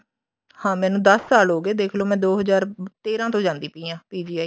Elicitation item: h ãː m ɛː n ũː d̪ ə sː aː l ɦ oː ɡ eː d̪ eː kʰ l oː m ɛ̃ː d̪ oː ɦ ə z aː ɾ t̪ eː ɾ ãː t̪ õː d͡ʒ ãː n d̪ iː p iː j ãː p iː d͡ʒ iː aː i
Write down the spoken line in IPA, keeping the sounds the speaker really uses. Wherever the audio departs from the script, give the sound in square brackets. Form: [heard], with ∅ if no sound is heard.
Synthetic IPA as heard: h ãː m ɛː n ũː d̪ ə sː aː l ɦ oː ɡ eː d̪ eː kʰ l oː m ɛ̃ː d̪ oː ɦ ə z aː ɾ t̪ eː ɾ ãː t̪ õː d͡ʒ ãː n d̪ iː p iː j ãː p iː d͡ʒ iː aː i